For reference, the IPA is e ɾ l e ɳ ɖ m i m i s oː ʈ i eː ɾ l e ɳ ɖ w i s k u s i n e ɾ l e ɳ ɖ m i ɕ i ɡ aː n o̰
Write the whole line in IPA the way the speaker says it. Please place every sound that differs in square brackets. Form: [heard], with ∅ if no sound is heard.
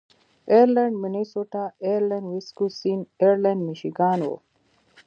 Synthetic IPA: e ɾ l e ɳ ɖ m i [n] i s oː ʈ [a] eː ɾ l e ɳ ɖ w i s k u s i n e ɾ l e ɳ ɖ m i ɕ i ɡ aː n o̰